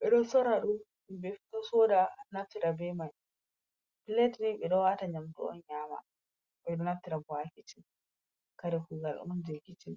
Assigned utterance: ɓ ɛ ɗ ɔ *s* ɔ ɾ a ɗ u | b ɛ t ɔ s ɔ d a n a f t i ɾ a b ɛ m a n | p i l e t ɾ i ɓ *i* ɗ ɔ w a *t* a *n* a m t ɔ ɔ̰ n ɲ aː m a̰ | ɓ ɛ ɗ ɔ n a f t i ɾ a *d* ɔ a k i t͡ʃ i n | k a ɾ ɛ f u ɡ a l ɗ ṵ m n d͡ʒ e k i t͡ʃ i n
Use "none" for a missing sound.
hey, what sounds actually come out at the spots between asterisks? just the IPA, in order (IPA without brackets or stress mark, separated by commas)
s, ɛ, t, ɲ, b